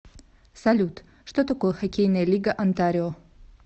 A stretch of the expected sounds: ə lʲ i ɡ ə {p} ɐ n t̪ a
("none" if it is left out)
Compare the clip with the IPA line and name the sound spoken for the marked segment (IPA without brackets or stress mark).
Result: ʔ